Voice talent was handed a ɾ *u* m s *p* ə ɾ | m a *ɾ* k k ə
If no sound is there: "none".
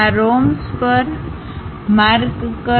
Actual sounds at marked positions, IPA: o, p, ɾ

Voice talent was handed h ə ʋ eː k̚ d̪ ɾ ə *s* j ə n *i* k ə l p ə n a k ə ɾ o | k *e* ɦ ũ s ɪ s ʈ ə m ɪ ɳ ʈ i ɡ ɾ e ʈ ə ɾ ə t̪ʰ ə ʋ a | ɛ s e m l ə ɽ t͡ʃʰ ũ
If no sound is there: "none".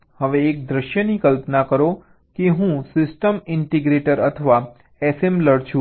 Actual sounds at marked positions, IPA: ʃ, i, e

